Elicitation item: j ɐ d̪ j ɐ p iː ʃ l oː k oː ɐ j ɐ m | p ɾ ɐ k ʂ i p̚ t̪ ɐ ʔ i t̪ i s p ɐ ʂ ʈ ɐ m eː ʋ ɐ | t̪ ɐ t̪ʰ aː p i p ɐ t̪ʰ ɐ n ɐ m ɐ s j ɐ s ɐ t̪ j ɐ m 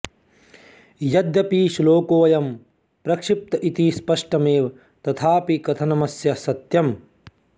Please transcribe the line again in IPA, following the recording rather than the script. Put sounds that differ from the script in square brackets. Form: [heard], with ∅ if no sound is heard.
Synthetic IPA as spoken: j ɐ d̪ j ɐ p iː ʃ l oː k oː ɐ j ɐ m | p ɾ ɐ k ʂ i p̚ t̪ ɐ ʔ i t̪ i s p ɐ ʂ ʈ ɐ m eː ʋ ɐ | t̪ ɐ t̪ʰ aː p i [k] ɐ t̪ʰ ɐ n ɐ m ɐ s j ɐ s ɐ t̪ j ɐ m